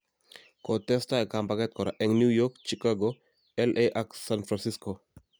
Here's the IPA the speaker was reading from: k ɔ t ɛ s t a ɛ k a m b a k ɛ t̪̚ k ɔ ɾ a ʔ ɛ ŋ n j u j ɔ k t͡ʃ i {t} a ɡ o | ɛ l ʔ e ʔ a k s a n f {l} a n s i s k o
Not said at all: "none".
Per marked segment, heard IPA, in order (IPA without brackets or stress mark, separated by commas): k, ɾ